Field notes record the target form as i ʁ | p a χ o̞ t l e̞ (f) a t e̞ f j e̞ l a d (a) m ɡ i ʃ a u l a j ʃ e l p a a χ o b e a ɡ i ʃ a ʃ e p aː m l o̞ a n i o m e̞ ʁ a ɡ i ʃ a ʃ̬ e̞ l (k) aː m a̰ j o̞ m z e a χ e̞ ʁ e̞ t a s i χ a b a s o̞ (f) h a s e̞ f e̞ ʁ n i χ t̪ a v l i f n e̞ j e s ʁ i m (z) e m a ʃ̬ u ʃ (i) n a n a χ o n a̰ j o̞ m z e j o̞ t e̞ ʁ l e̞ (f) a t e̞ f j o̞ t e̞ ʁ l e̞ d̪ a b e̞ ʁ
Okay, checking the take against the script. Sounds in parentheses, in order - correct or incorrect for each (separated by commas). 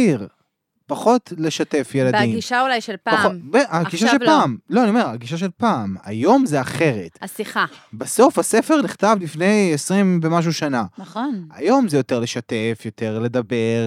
incorrect, incorrect, incorrect, correct, incorrect, incorrect, incorrect